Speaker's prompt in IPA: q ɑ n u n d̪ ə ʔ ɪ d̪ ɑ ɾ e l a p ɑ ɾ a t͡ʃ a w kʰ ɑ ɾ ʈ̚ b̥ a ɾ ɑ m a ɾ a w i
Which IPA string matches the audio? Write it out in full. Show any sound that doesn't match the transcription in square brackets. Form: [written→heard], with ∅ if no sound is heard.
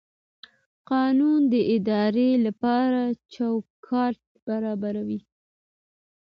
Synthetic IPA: q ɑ n u n d̪ ə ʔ ɪ d̪ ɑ ɾ e l a p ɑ ɾ a t͡ʃ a w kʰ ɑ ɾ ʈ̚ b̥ a ɾ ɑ [m→b] a ɾ a w i